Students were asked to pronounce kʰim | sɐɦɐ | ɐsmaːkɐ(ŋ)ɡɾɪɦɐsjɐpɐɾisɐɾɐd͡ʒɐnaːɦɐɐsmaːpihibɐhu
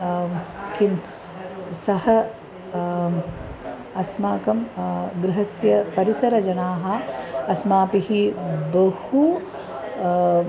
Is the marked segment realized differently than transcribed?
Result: yes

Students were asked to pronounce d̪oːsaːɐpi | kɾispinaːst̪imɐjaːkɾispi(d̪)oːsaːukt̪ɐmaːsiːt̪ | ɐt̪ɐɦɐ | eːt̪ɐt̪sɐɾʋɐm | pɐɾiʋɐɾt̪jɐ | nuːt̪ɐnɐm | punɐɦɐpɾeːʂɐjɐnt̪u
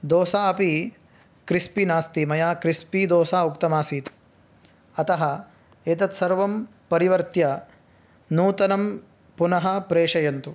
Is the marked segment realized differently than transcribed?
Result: no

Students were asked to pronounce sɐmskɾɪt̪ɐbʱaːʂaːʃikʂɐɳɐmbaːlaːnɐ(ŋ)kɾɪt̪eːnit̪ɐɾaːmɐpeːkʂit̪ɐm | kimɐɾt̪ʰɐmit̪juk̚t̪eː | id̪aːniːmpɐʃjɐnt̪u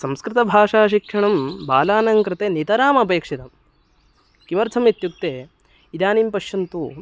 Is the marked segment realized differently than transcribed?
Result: no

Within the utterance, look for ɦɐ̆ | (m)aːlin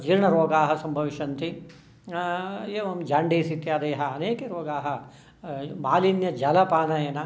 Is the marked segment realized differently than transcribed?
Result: no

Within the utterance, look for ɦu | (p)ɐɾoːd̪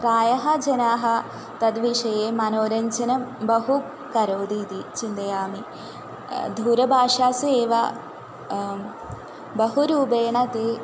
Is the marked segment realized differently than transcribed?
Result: yes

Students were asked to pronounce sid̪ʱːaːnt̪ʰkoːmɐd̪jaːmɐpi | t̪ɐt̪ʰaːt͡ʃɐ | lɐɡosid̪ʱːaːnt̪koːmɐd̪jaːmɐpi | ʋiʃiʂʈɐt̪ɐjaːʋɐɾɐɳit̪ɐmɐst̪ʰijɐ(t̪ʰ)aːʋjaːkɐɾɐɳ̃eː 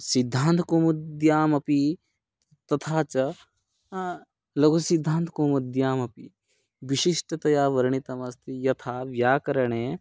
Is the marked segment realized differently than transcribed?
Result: no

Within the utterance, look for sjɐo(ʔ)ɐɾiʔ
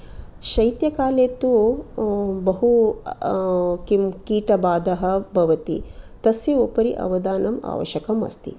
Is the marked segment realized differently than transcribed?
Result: yes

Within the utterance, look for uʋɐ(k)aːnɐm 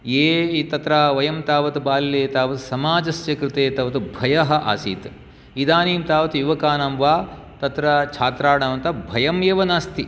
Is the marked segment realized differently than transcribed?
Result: no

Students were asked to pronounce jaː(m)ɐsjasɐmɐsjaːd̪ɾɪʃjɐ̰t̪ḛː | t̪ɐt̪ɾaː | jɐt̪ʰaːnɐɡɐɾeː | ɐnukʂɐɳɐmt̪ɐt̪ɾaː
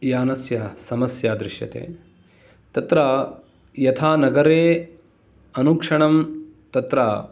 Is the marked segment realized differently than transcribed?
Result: yes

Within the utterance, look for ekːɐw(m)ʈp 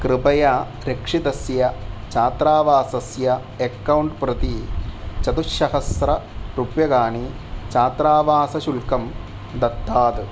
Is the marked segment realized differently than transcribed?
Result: yes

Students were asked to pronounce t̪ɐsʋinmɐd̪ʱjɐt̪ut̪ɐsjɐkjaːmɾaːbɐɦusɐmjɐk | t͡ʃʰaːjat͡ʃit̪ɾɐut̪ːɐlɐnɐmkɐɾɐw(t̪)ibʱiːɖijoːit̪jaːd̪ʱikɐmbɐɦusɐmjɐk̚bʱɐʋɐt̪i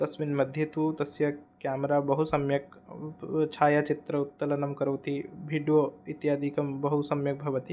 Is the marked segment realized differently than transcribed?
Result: no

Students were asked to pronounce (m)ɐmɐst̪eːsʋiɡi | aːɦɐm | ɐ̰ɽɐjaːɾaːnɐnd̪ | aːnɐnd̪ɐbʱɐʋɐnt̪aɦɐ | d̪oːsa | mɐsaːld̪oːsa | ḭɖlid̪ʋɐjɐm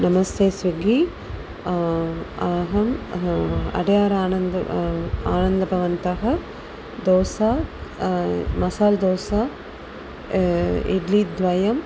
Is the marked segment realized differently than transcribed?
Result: yes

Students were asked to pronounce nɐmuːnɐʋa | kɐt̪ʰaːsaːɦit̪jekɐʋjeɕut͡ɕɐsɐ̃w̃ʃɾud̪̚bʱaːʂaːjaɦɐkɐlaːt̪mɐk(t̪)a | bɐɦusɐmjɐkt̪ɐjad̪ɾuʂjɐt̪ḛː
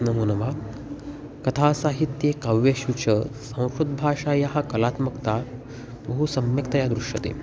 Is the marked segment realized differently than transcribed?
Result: no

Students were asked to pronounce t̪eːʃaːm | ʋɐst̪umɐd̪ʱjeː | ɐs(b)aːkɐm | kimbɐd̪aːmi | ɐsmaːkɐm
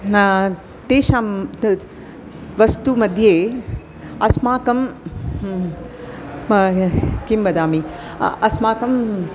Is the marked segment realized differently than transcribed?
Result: yes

